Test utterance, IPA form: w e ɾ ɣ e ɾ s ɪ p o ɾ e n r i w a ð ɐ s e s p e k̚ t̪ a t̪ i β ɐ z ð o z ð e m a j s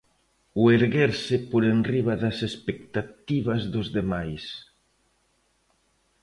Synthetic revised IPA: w e ɾ ɣ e ɾ s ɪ p o ɾ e n r i β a ð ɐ s e s p e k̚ t̪ a t̪ i β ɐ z ð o z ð e m a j s

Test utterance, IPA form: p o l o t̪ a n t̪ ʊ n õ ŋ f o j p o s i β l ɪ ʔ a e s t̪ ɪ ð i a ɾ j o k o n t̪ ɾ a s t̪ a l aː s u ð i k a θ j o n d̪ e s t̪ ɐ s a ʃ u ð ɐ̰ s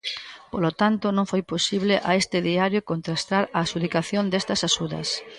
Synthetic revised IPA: p o l o t̪ a n t̪ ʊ n õ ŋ f o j p o s i β l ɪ ʔ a e s t̪ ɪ ð i a ɾ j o k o n t̪ ɾ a s t̪ a ɾ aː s u ð i k a θ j o n d̪ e s t̪ ɐ s a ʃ u ð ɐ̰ s

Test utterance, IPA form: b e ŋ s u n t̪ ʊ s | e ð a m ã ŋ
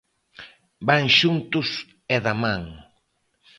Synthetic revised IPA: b a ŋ ʃ u n t̪ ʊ s | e ð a m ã ŋ

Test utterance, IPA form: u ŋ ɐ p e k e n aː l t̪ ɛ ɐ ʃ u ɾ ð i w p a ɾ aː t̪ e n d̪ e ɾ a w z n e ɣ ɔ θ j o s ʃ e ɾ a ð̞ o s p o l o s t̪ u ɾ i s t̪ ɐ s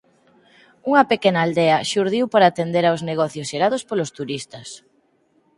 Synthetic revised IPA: u ŋ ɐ p e k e n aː l d̪ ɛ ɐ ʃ u ɾ ð i w p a ɾ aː t̪ e n d̪ e ɾ a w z n e ɣ ɔ θ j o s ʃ e ɾ a ð̞ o s p o l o s t̪ u ɾ i s t̪ ɐ s

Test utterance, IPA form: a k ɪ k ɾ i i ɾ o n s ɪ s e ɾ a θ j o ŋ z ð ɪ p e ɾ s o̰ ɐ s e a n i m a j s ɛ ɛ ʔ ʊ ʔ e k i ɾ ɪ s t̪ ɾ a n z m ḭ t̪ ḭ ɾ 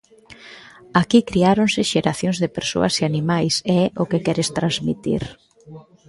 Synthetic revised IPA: a k i k ɾ i a ɾ o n s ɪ ʃ e ɾ a θ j o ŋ z ð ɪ p e ɾ s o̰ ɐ s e a n i m a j s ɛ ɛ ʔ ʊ k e k ɛ ɾ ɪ s t̪ ɾ a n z m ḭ t̪ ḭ ɾ

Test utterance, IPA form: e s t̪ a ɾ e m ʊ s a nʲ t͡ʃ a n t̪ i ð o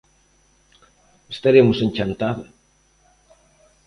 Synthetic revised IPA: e s t̪ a ɾ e m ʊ s e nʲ t͡ʃ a n t̪ a ð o

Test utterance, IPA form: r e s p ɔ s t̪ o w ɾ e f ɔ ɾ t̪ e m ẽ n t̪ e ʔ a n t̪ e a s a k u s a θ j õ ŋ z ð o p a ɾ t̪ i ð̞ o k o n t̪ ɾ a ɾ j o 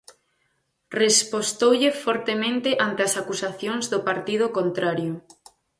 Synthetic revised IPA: r e s p o s t̪ o w ʎ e f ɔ ɾ t̪ e m ẽ n t̪ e ʔ a n t̪ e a s a k u s a θ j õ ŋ z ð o p a ɾ t̪ i ð̞ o k o n t̪ ɾ a ɾ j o

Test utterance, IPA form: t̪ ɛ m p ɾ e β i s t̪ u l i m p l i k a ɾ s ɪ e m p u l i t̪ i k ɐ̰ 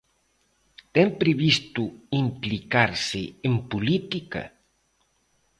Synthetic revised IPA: t̪ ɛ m p ɾ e β i s t̪ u i m p l i k a ɾ s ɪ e m p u l i t̪ i k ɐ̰

